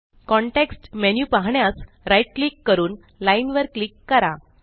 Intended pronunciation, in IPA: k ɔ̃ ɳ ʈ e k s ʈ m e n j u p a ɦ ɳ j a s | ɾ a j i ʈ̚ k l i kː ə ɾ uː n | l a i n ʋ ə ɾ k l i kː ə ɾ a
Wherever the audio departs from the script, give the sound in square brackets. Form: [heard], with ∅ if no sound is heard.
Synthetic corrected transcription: k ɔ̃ ɳ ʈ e k s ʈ m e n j u p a ɦ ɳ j a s | ɾ a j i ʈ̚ k l i kː ə ɾ uː n | l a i n ʋ ə ɾ k l i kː ə ɾ a